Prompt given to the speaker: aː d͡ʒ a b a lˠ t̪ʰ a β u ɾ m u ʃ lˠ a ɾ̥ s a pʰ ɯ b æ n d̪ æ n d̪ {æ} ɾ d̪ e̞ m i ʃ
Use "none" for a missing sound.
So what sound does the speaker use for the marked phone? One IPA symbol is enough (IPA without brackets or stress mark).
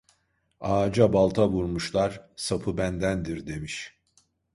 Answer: i